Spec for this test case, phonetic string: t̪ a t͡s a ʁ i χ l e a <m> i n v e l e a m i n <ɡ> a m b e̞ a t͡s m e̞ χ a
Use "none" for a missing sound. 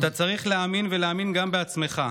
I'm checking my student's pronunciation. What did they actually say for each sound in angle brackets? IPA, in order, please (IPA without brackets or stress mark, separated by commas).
m, ɡ